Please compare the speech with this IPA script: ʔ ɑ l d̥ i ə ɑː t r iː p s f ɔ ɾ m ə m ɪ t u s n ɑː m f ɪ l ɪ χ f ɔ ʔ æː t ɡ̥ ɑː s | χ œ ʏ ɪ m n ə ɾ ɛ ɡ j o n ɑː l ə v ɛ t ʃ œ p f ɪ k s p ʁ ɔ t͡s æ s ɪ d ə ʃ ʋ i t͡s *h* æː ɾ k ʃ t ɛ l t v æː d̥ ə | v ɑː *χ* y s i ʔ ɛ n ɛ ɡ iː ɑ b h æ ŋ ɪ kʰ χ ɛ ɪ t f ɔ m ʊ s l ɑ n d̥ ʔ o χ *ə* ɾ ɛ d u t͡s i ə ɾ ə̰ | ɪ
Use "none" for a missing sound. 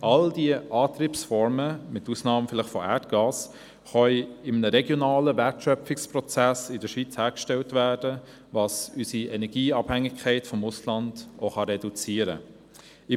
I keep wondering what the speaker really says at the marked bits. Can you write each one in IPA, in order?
h, s, ɑ

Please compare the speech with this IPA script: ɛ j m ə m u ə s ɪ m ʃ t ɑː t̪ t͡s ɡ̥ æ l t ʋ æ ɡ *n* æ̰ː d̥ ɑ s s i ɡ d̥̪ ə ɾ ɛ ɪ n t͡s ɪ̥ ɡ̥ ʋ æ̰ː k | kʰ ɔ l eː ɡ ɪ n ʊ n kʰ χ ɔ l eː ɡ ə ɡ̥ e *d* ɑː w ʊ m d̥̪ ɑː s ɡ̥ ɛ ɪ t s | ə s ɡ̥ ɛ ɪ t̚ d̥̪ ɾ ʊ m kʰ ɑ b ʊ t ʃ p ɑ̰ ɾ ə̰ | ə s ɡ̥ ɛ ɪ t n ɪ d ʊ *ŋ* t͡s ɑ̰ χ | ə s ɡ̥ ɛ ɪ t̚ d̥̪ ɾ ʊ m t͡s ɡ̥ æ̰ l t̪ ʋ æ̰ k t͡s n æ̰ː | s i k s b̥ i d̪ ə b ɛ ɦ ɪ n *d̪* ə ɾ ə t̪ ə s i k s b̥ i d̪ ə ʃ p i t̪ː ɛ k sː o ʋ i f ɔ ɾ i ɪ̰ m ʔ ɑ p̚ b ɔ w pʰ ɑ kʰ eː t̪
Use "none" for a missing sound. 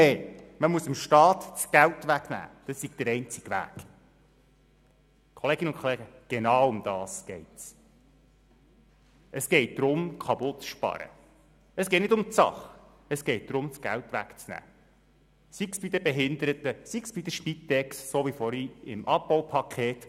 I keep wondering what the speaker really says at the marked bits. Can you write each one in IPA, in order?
n, n, m, d̪

